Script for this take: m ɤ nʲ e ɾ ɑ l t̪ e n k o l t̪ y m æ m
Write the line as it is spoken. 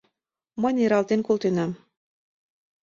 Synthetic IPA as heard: m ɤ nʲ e ɾ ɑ l t̪ e n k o l t̪ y n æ m